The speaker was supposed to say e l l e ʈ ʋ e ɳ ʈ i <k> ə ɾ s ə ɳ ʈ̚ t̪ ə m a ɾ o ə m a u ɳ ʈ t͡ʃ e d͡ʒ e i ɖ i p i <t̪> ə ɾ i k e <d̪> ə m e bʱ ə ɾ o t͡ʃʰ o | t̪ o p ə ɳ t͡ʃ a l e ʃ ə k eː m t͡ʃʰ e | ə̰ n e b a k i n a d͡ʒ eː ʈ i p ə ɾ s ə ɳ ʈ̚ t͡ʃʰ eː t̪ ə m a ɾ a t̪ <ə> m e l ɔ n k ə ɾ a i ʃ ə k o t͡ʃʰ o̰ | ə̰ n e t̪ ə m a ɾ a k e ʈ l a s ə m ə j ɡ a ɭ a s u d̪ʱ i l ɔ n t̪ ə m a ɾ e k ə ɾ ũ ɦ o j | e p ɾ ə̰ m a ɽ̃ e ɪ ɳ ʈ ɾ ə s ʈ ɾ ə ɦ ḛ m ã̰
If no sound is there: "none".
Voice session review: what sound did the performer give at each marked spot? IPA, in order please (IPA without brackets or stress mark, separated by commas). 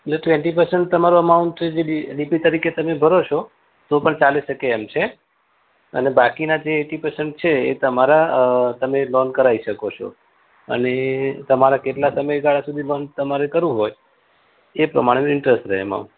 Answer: p, t̪, t̪, ə